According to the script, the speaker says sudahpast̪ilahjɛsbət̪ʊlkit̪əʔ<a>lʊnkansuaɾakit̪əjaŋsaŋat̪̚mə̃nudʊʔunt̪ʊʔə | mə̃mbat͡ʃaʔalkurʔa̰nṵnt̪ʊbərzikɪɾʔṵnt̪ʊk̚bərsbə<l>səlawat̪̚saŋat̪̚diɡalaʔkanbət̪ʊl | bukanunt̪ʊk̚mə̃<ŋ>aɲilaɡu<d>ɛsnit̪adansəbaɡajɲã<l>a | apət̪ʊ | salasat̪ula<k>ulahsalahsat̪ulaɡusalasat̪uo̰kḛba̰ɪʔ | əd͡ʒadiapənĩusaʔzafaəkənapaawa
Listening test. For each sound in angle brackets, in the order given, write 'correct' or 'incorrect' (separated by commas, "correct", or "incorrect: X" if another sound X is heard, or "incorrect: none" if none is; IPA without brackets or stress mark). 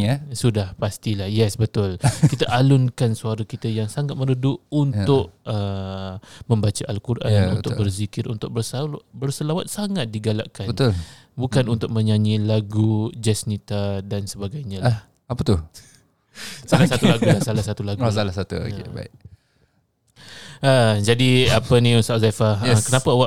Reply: correct, incorrect: r, incorrect: ɲ, incorrect: d͡ʒ, correct, incorrect: ɡ